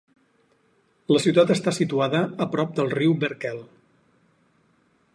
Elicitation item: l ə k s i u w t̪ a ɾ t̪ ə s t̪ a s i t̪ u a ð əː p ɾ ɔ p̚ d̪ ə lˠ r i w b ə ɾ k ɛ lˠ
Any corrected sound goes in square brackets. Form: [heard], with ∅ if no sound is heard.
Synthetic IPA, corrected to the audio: l ə [∅] s i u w t̪ a [∅] t̪ ə s t̪ a s i t̪ u a ð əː p ɾ ɔ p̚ d̪ ə lˠ r i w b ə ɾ k ɛ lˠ